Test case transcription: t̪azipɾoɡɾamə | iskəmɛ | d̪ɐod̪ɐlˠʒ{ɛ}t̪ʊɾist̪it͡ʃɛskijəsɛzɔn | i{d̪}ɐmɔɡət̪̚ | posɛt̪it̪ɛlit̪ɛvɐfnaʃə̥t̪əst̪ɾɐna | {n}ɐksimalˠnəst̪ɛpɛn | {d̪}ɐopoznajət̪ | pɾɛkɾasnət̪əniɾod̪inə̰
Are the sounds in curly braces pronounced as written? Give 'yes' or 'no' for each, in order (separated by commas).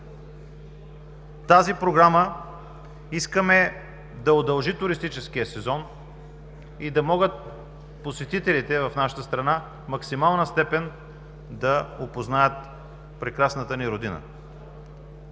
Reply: no, yes, no, yes